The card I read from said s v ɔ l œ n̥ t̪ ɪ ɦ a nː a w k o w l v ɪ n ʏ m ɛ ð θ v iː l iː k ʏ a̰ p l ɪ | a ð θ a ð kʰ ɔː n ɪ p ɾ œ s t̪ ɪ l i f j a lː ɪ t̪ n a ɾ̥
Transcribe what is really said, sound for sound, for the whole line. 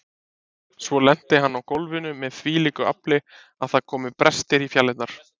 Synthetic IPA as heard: s v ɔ l ɛ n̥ t̪ ɪ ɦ a nː a w k o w l v ɪ n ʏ m ɛ ð θ v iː l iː k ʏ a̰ p l ɪ | a ð θ a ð kʰ ɔː m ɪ p ɾ ɛ s t̪ ɪ ɾ i f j a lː ɪ t̪ n a ɾ̥